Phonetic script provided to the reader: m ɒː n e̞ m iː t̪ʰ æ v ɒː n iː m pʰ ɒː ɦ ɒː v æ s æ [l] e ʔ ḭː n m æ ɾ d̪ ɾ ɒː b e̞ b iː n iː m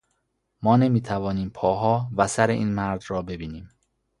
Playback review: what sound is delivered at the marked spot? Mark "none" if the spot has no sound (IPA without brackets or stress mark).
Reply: ɾ